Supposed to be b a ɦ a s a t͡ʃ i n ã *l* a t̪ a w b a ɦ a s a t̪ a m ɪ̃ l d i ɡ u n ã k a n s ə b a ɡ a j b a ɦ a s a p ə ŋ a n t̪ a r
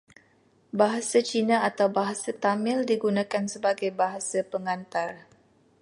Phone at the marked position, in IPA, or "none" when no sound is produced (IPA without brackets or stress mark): none